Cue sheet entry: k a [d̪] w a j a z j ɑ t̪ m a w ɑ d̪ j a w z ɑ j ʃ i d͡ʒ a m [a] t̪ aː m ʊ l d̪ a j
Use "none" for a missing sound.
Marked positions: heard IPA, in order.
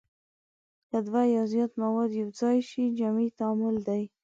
d̪, i

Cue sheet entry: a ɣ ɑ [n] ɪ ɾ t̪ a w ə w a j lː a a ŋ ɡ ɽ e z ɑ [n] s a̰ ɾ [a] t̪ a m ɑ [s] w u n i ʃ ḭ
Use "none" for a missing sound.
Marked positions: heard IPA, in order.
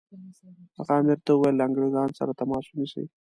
m, n, a, s

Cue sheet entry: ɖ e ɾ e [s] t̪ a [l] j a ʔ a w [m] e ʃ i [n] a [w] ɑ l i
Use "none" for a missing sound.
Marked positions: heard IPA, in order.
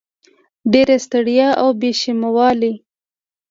s, ɽ, b, m, w

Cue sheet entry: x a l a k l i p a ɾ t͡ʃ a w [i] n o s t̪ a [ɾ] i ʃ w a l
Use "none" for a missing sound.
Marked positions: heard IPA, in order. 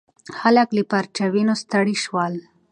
i, ɽ

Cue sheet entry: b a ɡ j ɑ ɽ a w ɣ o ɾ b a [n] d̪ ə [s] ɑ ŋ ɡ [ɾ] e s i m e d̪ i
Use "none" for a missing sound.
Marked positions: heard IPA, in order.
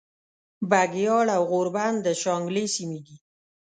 n, ʃ, l

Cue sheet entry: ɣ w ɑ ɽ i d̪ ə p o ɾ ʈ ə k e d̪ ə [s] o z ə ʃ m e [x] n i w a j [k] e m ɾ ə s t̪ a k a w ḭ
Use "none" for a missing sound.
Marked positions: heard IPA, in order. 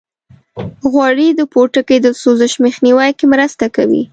s, x, k

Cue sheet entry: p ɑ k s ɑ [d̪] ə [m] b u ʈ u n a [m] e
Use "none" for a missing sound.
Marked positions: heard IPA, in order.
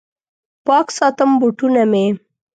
t̪, m, m

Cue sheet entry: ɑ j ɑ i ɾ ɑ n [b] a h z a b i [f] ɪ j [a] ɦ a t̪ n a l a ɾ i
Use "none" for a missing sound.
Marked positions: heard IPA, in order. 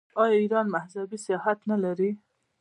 m, s, ɑ

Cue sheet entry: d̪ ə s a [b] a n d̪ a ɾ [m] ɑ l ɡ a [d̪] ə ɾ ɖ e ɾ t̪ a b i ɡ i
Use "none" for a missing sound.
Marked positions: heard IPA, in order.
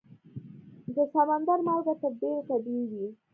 m, m, t̪

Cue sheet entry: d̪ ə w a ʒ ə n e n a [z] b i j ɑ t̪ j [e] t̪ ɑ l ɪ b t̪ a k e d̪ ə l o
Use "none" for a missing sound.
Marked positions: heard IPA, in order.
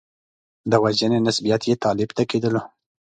s, e

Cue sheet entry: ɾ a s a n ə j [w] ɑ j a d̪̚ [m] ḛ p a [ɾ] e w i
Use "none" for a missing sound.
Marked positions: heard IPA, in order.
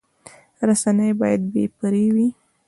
b, b, ɾ

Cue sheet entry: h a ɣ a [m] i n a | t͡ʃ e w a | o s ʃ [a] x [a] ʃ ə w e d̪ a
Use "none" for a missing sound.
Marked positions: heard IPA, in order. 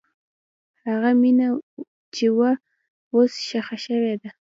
m, a, a

